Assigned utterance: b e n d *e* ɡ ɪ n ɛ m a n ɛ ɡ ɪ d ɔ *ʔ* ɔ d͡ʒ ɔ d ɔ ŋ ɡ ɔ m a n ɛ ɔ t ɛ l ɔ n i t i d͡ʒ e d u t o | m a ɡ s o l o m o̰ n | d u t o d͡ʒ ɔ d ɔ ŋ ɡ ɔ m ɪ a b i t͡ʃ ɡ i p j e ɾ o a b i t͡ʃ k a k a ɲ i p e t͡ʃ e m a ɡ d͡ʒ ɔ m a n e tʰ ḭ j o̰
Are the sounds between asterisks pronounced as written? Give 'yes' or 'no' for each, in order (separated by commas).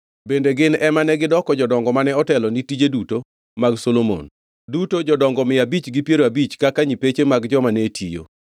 yes, no